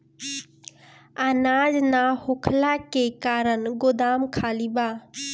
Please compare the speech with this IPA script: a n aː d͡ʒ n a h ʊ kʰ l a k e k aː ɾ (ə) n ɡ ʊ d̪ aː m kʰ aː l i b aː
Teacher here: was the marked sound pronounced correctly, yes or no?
yes